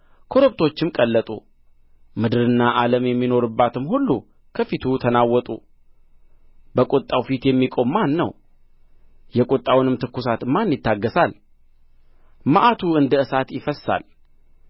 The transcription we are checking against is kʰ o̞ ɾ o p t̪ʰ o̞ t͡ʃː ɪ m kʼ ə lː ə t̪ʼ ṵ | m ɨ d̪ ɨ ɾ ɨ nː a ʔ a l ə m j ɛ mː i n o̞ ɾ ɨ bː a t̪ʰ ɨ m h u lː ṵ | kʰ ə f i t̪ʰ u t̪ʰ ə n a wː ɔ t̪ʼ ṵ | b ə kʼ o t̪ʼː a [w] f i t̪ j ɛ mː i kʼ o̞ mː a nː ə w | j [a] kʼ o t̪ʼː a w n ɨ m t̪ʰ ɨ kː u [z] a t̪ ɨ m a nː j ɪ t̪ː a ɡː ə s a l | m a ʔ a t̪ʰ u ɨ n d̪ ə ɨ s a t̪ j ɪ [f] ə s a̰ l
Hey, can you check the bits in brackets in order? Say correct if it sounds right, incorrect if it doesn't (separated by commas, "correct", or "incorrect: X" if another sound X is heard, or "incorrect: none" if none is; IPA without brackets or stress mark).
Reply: correct, incorrect: ɛ, incorrect: s, correct